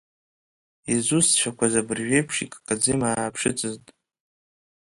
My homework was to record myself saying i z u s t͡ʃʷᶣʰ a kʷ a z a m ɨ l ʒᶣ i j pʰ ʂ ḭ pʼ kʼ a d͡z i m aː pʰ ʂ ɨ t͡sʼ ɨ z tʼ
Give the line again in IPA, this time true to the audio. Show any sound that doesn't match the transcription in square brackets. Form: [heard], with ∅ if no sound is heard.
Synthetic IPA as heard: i z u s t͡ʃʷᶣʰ a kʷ a z a [b] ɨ [r] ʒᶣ [e] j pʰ ʂ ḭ [kʼ] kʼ a d͡z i m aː pʰ ʂ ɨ t͡sʼ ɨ z tʼ